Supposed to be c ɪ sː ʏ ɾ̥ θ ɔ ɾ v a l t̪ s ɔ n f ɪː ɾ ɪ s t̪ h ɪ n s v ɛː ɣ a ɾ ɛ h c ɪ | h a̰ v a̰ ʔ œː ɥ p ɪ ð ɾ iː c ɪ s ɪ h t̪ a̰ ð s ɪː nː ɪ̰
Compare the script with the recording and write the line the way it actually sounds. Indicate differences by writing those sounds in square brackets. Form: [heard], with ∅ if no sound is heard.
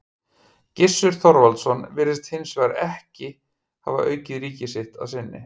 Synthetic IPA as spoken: c ɪ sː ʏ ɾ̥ θ ɔ ɾ v a l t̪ s ɔ n [v] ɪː ɾ ɪ s t̪ h ɪ n s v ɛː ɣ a ɾ ɛ h c ɪ | h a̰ v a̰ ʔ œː ɥ [c] ɪ ð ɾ iː c ɪ s ɪ h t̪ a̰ ð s [ɪ] nː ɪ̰